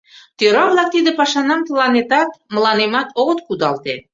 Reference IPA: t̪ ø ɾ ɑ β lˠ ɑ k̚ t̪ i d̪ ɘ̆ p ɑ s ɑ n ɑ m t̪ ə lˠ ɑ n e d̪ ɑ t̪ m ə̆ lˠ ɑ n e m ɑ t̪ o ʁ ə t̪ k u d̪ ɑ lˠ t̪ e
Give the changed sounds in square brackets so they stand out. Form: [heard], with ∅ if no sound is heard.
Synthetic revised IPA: t̪ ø ɾ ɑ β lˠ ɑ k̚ t̪ i d̪ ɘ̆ p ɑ [ʃ] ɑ n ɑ m t̪ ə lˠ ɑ n e [t̪] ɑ t̪ m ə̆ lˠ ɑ n e m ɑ t̪ o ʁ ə t̪ k u d̪ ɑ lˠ t̪ e